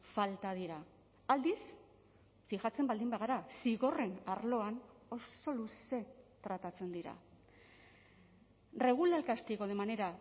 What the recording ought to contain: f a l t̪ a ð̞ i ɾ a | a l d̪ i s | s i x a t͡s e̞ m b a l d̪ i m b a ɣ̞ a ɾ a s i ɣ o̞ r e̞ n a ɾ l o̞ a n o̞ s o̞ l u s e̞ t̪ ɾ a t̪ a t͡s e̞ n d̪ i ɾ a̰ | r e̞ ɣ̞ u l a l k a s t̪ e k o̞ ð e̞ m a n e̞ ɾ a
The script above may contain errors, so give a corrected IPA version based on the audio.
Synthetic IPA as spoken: f a l t̪ a ð̞ i ɾ a | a l d̪ i s | f i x a t͡s e̞ m b a l d̪ i m b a ɣ̞ a ɾ a s i ɣ o̞ r e̞ n a ɾ l o̞ a n o̞ s o̞ l u s e̞ t̪ ɾ a t̪ a t͡s e̞ n d̪ i ɾ a̰ | r e̞ ɣ̞ u l a l k a s t̪ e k o̞ ð e̞ m a n e̞ ɾ a